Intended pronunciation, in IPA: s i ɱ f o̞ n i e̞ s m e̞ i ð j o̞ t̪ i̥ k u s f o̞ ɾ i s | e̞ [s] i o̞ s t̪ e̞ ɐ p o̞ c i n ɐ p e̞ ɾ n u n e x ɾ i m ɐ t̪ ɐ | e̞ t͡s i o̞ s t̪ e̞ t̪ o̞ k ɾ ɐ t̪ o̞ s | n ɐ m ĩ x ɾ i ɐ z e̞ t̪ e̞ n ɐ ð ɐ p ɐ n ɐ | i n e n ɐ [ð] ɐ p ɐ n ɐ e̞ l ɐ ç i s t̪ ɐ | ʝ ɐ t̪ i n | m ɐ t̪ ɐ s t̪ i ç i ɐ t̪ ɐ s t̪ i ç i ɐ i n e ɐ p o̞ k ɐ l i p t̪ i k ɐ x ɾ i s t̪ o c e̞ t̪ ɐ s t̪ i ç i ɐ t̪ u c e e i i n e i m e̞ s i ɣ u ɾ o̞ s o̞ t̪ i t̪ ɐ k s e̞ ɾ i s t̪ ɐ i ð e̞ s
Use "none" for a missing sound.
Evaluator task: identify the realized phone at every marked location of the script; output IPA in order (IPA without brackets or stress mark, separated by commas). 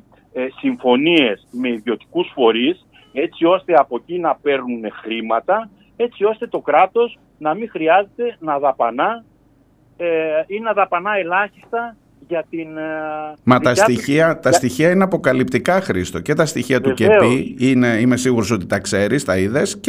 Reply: t͡s, ð